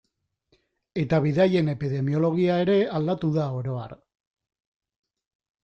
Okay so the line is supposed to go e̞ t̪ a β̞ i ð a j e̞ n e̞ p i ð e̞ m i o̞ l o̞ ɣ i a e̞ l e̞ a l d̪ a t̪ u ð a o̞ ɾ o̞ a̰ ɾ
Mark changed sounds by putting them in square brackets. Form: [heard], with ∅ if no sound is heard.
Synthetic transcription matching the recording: e̞ t̪ a β̞ i ð a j e̞ n e̞ p i ð e̞ m i o̞ l o̞ ɣ i a e̞ [ɾ] e̞ a l d̪ a t̪ u ð a o̞ ɾ o̞ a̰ ɾ